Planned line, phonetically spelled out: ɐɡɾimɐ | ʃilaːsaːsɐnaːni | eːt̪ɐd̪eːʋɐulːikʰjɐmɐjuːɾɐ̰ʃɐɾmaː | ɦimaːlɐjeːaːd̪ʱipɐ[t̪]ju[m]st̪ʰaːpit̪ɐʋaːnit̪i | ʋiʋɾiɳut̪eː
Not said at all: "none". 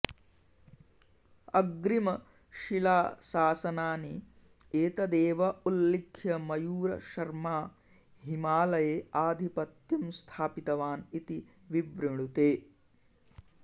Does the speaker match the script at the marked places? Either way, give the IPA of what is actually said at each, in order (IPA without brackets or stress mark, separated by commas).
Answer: t̪, m